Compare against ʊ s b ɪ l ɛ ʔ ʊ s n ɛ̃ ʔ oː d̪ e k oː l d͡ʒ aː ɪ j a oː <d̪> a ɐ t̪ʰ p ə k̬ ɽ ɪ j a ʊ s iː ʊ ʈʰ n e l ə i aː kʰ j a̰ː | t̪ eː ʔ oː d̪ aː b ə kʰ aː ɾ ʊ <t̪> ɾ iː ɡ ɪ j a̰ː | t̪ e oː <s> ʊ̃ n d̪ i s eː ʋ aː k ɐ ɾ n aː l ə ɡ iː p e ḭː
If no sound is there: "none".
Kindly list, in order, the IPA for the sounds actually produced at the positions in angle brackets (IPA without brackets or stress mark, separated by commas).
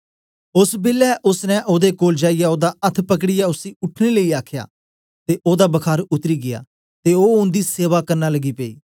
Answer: d̪, t̪, none